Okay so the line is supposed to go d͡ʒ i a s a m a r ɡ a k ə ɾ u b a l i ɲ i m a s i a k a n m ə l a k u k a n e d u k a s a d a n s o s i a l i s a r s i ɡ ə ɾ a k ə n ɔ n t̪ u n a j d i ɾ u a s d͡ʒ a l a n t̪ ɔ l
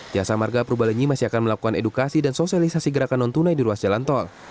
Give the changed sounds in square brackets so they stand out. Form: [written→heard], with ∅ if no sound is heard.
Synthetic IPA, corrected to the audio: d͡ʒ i a s a m a r ɡ a [k→p] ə ɾ u b a l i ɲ i m a s i a k a n m ə l a k u k a n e d u k a s [a→i] d a n s o s i a l i s a [r→∅] s i ɡ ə ɾ a k [ə→a] n ɔ n t̪ u n a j d i ɾ u a s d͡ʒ a l a n t̪ ɔ l